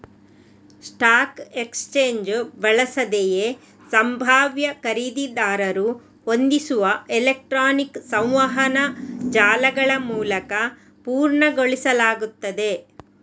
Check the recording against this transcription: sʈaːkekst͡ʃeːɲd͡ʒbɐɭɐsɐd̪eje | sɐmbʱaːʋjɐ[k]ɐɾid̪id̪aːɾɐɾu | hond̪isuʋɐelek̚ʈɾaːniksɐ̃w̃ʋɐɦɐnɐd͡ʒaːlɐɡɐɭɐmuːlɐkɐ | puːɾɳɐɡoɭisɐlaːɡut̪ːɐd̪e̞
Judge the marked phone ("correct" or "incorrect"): correct